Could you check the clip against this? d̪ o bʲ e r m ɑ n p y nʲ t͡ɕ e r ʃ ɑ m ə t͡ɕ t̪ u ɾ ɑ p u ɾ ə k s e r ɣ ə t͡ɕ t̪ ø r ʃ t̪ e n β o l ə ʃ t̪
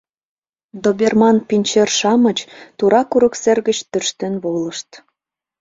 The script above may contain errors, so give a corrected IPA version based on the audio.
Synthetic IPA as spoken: d̪ o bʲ e r m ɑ n p i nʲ t͡ɕ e r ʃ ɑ m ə t͡ɕ t̪ u ɾ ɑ k u ɾ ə k s e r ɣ ə t͡ɕ t̪ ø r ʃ t̪ e n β o l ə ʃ t̪